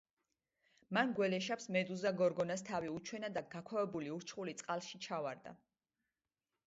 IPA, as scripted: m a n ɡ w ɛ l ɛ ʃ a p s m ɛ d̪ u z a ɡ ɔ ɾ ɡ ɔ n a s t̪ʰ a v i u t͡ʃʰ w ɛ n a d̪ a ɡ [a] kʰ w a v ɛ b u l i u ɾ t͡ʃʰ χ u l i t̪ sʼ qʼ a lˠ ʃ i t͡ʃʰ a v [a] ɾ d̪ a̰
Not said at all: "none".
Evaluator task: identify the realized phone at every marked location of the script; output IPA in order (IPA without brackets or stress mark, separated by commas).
a, a